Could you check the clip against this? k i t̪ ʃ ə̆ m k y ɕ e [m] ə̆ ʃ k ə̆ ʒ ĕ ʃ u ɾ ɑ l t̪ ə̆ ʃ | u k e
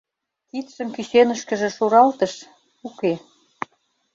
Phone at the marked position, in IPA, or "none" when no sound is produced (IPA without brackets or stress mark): n